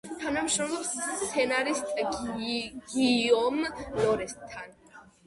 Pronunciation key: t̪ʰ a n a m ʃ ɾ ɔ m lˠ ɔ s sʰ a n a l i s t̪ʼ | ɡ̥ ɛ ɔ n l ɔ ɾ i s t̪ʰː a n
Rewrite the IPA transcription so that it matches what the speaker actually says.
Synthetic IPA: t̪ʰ a n a m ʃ ɾ ɔ m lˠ ɔ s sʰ ɛ n a ɾ i s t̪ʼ | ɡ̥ i ɔ m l ɔ ɾ ɛ s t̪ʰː a n